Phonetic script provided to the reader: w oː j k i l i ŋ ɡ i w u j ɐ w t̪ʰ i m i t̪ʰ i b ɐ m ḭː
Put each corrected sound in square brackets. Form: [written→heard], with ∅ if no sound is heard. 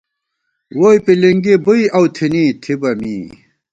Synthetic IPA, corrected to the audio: w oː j [k→p] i l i ŋ ɡ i [w→b] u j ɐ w t̪ʰ i [m→n] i t̪ʰ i b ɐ m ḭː